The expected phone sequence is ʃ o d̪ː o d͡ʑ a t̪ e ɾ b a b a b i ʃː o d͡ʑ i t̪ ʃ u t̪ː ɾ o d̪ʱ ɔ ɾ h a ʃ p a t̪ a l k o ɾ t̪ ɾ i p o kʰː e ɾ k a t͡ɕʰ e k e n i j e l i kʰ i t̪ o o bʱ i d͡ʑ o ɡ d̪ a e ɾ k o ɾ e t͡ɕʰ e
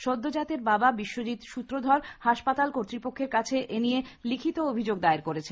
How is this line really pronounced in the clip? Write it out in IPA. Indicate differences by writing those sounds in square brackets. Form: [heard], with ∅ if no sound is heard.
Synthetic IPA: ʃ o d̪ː o d͡ʑ a t̪ e ɾ b a b a b i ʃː o d͡ʑ i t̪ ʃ u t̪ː ɾ o d̪ʱ ɔ ɾ h a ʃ p a t̪ a l k o ɾ t̪ ɾ i p o kʰː e ɾ k a t͡ɕʰ e [ʔ] e n i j e l i kʰ i t̪ o o bʱ i d͡ʑ o ɡ d̪ a e ɾ k o ɾ e t͡ɕʰ e